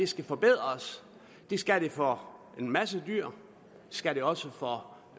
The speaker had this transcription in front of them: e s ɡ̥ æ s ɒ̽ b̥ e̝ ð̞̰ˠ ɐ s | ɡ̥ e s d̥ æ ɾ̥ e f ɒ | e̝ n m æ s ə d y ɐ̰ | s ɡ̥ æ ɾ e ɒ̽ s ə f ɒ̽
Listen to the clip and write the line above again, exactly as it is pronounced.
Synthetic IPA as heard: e s ɡ̥ æ f ɒ̽ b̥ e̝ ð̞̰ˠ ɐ s | d̥ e s ɡ̥ æ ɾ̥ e f ɒ | e̝ n m æ s ə d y ɐ̰ | s ɡ̥ æ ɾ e ɒ̽ s ə f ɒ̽